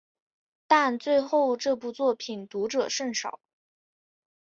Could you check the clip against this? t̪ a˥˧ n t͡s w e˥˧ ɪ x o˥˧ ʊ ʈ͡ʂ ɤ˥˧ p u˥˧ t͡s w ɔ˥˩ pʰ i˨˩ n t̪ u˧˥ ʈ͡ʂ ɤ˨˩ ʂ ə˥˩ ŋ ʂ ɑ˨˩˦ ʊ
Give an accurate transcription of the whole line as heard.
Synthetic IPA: t̪ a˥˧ n t͡s w e˥˧ ɪ x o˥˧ ʊ ʈ͡ʂ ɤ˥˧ p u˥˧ t͡s w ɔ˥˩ pʰ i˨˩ n t̪ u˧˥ ʈ͡ʂ ɤ˨˩ ʂ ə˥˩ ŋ ʂ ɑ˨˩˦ ʊ

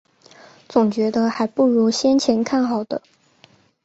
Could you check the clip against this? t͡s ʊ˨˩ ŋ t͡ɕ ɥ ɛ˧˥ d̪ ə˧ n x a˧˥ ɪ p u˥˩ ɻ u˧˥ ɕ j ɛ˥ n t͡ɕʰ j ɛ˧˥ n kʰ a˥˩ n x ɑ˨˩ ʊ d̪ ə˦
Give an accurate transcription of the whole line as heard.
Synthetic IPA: t͡s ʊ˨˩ ŋ t͡ɕ ɥ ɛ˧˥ d̪ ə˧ x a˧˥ ɪ p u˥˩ ɻ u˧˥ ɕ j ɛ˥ n t͡ɕʰ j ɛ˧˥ n kʰ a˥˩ n x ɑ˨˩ ʊ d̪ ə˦

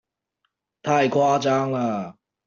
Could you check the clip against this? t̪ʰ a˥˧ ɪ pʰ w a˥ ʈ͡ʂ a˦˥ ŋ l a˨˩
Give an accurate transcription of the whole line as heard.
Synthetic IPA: t̪ʰ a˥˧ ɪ kʰ w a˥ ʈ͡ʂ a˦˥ ŋ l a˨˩

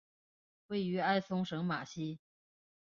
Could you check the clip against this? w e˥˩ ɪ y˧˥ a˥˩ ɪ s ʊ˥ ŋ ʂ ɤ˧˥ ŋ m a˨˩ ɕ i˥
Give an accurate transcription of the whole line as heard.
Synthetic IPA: w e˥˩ ɪ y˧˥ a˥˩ ɪ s ʊ˥ ŋ ʂ ɤ˧˥ ŋ m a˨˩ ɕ i˥

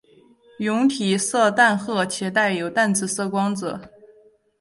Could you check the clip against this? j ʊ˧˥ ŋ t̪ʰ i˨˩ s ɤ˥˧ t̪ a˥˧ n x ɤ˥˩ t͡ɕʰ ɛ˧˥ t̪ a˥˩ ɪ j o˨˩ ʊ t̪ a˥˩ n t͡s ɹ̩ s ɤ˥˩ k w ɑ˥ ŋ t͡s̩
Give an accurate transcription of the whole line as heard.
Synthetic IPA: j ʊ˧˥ ŋ t̪ʰ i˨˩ s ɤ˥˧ t̪ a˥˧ n x ɤ˥˩ t͡ɕʰ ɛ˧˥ t̪ a˥˩ ɪ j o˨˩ ʊ t̪ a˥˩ n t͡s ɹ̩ s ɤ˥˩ k w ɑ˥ ŋ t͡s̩

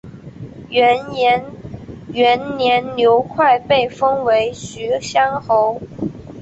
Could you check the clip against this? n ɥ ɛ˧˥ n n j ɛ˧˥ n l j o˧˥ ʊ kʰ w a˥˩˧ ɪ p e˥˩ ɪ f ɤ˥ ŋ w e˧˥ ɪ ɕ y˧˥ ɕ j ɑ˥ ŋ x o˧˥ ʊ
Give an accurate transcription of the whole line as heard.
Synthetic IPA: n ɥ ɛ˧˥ n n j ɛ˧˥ n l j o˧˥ ʊ kʰ w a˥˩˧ ɪ p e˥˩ ɪ f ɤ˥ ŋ w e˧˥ ɪ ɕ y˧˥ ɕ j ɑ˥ ŋ x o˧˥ ʊ

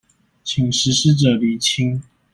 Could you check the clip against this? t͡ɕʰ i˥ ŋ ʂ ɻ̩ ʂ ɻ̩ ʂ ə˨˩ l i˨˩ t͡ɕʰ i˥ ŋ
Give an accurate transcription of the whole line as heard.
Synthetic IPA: t͡ɕʰ i˨˩ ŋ ʂ ɻ̩ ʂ ɻ̩ ʈ͡ʂ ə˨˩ l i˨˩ t͡ɕʰ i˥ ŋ

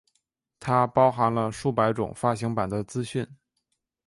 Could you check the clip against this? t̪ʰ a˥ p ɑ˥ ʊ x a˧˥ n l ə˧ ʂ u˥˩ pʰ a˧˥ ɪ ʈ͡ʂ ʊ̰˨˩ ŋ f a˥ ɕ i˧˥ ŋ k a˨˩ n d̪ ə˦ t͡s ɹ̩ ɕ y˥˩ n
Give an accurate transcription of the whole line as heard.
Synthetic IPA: t̪ʰ a˥ p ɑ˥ ʊ x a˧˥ n l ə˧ ʂ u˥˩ p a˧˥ ɪ ʈ͡ʂ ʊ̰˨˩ ŋ f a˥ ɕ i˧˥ ŋ p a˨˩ n d̪ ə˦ t͡s ɹ̩ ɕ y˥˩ n

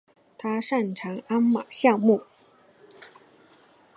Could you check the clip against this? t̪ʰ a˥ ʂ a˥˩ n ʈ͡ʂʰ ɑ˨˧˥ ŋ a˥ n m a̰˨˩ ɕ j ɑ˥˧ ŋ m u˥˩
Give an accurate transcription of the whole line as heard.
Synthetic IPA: t̪ʰ a˥ ʂ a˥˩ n ʈ͡ʂʰ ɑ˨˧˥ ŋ a˥ n m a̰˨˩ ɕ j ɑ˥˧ ŋ m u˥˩

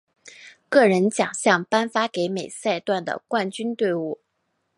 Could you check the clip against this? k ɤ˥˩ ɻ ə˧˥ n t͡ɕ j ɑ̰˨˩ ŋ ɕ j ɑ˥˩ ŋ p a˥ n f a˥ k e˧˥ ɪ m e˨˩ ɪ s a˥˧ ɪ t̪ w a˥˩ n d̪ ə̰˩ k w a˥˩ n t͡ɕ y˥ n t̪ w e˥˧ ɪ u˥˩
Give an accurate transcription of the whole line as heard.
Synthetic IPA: k ɤ˥˩ ɻ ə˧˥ n t͡ɕ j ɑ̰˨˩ ŋ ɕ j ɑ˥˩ ŋ p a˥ n f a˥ k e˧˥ ɪ m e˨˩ ɪ s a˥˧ ɪ t̪ w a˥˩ n d̪ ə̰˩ k w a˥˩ n t͡ɕ y˥ n t̪ w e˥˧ ɪ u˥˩

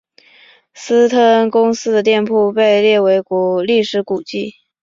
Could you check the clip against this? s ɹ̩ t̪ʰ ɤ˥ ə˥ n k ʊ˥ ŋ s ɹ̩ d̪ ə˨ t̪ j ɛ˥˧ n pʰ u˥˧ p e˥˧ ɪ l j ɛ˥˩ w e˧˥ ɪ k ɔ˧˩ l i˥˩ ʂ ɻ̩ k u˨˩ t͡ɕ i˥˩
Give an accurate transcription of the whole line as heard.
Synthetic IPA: s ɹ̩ t̪ʰ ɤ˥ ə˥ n k ʊ˥ ŋ s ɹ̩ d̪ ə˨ t̪ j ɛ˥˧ n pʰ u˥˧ p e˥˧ ɪ l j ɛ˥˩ w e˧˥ ɪ k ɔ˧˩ l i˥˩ ʂ ɻ̩ k u˨˩ t͡ɕ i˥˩

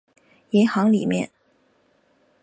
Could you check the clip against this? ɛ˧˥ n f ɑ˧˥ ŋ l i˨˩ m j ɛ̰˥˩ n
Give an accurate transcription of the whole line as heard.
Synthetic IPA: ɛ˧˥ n x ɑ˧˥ ŋ l i˨˩ m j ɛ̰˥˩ n

